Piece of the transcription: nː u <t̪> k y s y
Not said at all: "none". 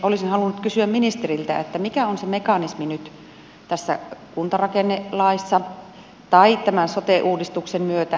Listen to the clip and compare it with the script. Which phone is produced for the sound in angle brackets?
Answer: t̪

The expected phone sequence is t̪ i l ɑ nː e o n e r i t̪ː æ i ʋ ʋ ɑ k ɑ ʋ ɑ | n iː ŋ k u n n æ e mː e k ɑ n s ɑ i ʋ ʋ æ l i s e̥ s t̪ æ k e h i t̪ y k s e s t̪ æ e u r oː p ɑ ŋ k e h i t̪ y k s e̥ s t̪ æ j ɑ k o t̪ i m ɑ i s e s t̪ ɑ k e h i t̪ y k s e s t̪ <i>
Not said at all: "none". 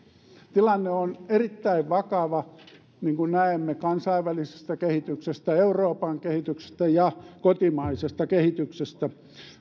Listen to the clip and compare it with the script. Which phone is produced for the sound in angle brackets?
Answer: æ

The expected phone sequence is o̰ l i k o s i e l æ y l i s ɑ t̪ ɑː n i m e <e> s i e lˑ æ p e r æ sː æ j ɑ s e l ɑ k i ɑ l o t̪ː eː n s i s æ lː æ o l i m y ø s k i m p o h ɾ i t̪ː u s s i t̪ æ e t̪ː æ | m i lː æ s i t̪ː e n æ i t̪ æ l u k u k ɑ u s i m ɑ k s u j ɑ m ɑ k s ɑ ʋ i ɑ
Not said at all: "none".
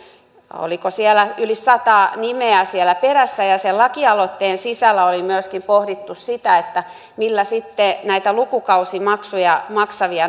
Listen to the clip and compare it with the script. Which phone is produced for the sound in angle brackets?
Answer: æ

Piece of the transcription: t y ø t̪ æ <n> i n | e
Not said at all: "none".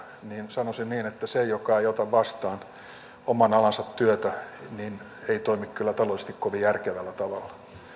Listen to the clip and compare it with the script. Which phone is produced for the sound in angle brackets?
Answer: n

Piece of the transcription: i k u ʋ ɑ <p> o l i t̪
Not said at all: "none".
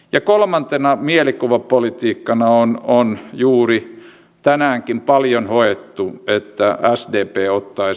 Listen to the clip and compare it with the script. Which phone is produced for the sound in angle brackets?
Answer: p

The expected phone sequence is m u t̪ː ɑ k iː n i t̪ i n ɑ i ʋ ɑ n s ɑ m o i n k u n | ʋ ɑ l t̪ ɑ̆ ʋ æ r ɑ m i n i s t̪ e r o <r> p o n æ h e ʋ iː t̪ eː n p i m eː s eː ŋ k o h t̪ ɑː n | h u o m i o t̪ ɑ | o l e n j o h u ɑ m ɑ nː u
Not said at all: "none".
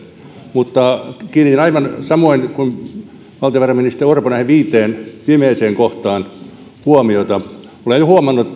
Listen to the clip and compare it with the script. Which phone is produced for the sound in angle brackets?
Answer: r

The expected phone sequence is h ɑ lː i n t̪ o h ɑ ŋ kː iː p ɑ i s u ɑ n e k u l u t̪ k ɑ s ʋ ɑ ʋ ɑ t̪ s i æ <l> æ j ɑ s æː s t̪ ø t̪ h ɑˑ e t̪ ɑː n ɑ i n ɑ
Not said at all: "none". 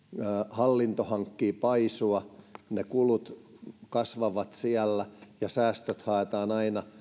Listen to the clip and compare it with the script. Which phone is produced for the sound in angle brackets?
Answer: lː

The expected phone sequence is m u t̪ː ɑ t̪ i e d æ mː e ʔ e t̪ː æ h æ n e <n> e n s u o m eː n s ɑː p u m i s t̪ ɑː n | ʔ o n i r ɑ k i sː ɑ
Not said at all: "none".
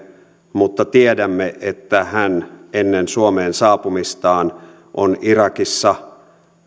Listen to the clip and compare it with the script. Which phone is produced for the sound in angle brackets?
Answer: nː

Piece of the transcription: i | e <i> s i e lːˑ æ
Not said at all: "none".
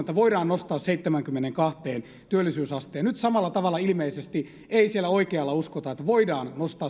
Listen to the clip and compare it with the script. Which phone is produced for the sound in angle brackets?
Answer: i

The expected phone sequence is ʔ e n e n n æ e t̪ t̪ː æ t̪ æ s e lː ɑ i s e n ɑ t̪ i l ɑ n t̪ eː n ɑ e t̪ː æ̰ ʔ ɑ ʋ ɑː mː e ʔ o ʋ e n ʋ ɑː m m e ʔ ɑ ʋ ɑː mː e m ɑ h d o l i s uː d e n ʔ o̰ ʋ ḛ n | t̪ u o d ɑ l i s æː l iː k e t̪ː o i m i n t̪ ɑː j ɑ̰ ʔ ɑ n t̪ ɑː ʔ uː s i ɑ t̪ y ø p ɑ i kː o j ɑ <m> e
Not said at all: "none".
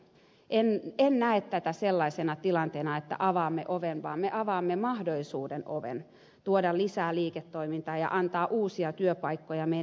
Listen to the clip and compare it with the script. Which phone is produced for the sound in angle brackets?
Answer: m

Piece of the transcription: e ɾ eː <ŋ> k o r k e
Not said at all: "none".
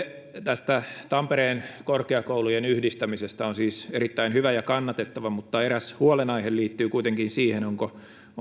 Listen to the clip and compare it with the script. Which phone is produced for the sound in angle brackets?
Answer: n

